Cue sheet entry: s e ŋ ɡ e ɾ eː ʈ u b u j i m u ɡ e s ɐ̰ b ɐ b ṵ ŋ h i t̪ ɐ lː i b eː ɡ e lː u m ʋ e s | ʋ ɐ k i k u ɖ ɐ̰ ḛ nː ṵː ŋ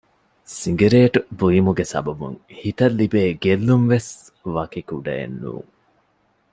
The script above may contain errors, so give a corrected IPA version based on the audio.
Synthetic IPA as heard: s i ŋ ɡ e ɾ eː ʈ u b u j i m u ɡ e s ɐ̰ b ɐ b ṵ ŋ h i t̪ ɐ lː i b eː ɡ e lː u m ʋ e s | ʋ ɐ k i k u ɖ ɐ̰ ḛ nː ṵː ŋ